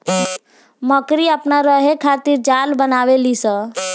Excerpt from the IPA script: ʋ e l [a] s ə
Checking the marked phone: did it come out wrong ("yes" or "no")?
yes